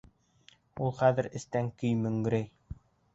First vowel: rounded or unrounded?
rounded